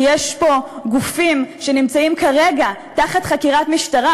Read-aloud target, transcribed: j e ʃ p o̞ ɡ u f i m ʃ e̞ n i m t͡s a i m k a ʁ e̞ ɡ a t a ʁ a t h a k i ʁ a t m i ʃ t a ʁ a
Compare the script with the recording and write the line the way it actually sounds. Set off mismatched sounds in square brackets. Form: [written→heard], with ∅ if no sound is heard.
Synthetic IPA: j e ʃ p o̞ ɡ u f i m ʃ e̞ n i m t͡s a i m k a ʁ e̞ ɡ a t a [ʁ→χ] a t [h→χ] a k i ʁ a t m i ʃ t a ʁ a